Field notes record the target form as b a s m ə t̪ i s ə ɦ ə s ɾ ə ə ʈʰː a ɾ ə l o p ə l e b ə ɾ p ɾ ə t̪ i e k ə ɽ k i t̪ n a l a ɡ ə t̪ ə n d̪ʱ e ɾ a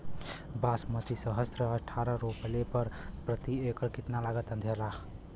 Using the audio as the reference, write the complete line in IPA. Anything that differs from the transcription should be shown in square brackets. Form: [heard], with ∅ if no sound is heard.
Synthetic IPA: b a s m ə t̪ i s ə ɦ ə s ɾ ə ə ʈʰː a ɾ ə [ɾ] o p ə l e [p] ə ɾ p ɾ ə t̪ i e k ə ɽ k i t̪ n a l a ɡ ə t̪ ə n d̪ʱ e [l] a